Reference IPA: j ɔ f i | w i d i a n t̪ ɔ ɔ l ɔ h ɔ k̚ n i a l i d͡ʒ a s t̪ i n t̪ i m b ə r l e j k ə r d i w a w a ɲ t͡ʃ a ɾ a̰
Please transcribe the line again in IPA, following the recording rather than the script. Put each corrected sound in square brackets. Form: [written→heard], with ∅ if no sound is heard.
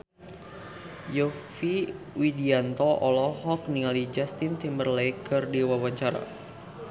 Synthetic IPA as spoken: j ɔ f i | w i d i a n t̪ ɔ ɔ l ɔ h ɔ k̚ n i a l i d͡ʒ a s t̪ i n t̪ i m b ə r l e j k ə r d i w a w a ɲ t͡ʃ a ɾ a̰